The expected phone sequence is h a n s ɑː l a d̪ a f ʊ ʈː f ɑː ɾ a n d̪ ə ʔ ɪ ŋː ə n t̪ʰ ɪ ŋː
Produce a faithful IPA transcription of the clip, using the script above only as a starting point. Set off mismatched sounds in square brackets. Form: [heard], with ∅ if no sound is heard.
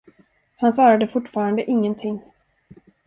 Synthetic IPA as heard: h a n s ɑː [ɾ] a d̪ [ə] f ʊ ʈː f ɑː ɾ a n d̪ ə ʔ ɪ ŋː ə n t̪ʰ ɪ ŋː